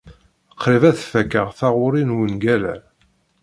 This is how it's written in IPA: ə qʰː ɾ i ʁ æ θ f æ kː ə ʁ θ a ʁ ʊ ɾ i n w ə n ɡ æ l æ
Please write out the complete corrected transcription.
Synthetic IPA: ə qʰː ɾ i v æ θ f æ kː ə ʁ θ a ʁ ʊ ɾ i n w ə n ɡ æ l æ

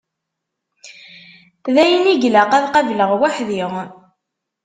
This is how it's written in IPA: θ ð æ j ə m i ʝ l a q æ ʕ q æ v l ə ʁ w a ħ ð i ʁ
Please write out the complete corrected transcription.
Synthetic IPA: θ ð æ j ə n i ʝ l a q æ ð q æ v l ə ʁ w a ħ ð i ʁ

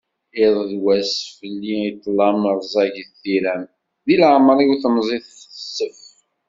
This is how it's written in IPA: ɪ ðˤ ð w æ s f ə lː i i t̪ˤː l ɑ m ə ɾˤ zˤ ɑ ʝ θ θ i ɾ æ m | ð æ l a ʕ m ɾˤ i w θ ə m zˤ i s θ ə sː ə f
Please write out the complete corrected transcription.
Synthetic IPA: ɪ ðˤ ð w æ s f ə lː i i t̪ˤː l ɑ m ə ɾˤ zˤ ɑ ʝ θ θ i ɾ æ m | ð i l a ʕ m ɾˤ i w θ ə m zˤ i θ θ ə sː ə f

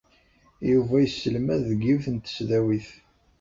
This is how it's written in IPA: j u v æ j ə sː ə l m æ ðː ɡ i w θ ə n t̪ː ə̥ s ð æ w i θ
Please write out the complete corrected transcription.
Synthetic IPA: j u v æ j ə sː ə l m æ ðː ɡ i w θ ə n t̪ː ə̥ s ð æ w i θ

